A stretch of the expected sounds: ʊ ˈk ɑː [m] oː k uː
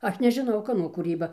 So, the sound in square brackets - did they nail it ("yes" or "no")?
no